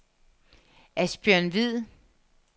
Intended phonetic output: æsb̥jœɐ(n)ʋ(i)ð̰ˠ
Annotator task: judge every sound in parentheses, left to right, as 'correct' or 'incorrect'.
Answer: correct, correct

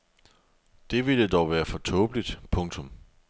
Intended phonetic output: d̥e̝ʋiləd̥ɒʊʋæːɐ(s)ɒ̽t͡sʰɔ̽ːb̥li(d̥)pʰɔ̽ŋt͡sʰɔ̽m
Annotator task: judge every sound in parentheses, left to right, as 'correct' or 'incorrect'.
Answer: incorrect, correct

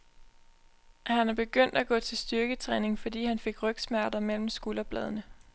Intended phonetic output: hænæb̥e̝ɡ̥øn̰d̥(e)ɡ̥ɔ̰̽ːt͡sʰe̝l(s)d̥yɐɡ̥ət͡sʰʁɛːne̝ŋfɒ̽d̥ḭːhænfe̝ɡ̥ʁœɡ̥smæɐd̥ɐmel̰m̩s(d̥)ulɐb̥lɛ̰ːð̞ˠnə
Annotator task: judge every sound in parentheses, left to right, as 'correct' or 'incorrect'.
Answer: incorrect, correct, incorrect

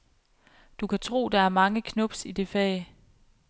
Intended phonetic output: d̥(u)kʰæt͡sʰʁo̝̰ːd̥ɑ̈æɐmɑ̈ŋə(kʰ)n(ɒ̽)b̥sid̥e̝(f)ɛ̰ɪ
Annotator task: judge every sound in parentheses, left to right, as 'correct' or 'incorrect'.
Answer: correct, correct, incorrect, correct

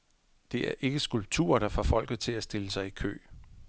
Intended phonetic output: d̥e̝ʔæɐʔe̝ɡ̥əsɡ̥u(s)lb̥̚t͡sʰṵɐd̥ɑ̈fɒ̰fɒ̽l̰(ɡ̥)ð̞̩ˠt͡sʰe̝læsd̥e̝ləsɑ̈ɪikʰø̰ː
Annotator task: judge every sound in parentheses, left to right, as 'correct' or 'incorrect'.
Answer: incorrect, correct

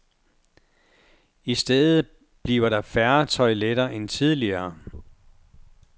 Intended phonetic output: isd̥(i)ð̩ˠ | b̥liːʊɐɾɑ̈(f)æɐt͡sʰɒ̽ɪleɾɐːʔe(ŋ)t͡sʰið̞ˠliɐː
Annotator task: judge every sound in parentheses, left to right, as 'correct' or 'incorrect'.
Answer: incorrect, correct, incorrect

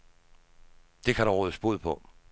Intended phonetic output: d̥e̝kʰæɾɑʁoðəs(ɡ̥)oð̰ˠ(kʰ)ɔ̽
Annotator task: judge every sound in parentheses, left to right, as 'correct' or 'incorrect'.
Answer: incorrect, incorrect

